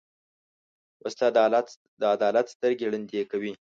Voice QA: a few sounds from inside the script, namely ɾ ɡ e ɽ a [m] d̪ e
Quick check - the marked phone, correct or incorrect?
incorrect